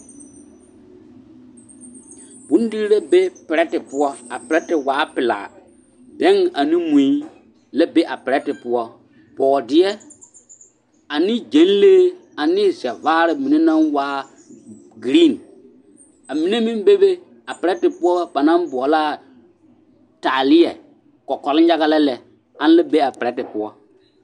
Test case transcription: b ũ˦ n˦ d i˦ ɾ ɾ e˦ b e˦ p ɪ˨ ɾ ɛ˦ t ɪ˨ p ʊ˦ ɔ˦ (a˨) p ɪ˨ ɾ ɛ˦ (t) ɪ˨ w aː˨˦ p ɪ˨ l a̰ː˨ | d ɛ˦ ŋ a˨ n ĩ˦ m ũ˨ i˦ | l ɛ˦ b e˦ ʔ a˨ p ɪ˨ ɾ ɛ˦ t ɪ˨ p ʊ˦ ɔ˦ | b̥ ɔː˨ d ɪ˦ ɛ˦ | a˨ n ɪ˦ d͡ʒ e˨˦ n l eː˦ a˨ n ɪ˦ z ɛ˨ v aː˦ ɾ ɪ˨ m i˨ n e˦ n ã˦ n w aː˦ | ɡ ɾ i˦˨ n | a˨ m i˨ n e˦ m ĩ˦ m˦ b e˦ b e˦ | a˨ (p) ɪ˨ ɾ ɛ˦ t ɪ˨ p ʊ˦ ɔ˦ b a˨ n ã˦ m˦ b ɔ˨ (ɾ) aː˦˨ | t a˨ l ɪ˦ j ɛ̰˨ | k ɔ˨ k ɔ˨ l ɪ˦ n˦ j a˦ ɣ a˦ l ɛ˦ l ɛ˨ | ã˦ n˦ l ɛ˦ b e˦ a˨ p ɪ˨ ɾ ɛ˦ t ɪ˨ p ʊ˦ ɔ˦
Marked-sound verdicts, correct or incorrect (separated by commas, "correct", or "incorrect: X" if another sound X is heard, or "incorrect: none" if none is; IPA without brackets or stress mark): correct, correct, correct, incorrect: l